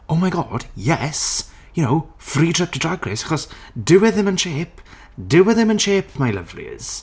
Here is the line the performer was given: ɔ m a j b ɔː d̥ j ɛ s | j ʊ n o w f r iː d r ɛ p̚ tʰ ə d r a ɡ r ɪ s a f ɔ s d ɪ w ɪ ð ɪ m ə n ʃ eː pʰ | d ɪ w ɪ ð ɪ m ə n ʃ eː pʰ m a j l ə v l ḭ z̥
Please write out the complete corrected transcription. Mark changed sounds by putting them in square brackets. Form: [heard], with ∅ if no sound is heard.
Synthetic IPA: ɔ m a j [ɡ] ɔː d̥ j ɛ s | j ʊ n o w f r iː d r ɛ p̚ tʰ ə d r a ɡ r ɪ s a [χ] ɔ s d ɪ w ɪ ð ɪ m ə n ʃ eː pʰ | d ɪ w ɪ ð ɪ m ə n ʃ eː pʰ m a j l ə v l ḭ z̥